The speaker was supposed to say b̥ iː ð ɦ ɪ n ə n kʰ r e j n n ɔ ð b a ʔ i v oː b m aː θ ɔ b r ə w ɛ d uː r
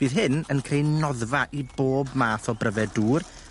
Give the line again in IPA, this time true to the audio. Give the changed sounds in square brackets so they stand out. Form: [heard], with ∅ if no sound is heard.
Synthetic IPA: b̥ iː ð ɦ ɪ n ə n kʰ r e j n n ɔ ð [v] a ʔ i [b] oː b m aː θ ɔ b r ə [v] ɛ d uː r